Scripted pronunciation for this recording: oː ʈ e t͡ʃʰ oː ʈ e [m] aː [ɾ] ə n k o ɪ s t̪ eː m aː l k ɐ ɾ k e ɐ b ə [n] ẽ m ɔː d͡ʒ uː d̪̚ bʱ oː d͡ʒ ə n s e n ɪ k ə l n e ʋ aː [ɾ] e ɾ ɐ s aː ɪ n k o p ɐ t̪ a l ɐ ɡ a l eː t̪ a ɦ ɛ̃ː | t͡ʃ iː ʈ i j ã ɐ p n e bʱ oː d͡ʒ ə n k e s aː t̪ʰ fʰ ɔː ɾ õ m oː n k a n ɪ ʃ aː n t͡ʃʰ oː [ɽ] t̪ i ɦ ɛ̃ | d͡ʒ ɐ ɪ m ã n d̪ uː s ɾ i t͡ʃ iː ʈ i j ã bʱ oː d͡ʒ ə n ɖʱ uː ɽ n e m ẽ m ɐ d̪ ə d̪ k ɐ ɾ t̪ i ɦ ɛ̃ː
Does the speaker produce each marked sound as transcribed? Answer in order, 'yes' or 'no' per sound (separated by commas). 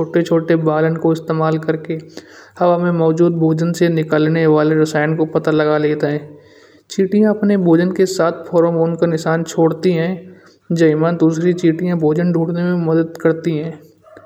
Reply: no, no, no, no, yes